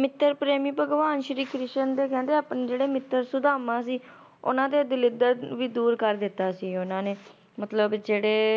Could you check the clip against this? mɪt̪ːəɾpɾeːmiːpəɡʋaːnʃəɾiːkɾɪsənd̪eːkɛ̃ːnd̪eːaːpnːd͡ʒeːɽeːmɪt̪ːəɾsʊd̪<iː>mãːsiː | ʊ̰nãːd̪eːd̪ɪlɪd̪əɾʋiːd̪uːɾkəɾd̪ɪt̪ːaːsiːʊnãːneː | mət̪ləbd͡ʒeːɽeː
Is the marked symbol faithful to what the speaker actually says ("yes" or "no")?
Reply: no